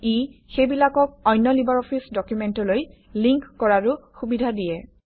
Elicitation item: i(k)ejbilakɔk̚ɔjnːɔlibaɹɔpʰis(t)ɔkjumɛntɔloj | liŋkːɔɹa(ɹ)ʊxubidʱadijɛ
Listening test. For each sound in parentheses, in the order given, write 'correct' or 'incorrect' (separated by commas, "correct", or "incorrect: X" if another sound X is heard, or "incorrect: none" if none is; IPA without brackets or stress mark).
incorrect: x, incorrect: d, correct